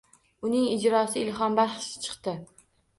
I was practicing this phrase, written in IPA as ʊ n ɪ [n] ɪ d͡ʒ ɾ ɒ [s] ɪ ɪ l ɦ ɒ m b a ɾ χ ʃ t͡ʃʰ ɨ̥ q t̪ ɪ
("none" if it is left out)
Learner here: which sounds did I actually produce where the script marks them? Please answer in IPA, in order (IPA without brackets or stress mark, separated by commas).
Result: ŋ, s